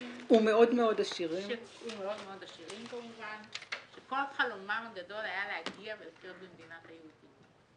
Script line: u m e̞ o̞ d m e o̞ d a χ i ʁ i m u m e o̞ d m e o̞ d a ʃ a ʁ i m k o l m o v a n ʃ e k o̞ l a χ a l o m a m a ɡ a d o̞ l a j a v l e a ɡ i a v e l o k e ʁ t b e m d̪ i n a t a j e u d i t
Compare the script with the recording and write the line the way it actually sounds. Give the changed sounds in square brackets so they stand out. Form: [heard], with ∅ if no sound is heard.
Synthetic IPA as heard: u m e̞ o̞ d m e o̞ d a [ʃ] i ʁ i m u m e o̞ d m e o̞ d a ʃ [i] ʁ i m k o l m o v a n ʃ e k o̞ l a χ a l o m a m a ɡ a d o̞ l a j a [∅] l e a ɡ i a v e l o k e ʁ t b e m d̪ i n a t a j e u d i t